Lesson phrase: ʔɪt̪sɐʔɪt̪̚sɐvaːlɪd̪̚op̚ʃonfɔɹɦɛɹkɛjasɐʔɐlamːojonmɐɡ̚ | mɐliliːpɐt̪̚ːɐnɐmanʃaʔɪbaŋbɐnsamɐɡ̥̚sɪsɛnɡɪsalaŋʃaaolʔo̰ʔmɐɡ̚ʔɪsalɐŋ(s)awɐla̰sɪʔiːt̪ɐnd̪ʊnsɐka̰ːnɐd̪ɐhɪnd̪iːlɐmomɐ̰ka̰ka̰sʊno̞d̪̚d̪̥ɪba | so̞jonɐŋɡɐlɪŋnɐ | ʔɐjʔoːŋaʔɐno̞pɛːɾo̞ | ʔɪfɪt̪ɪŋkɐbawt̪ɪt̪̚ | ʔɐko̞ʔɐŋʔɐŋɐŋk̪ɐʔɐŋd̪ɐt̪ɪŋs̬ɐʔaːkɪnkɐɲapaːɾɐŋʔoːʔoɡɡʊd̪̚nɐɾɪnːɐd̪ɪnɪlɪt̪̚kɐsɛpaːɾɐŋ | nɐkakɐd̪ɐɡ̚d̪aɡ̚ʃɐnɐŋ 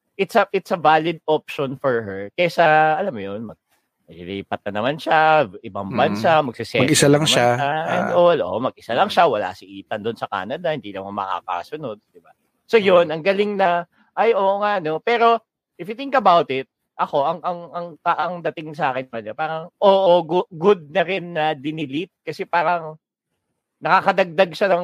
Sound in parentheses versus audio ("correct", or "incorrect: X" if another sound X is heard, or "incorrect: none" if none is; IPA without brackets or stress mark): incorrect: ʃ